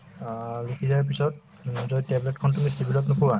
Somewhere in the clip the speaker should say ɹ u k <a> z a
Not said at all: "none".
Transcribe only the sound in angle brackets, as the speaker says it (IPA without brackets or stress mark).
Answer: i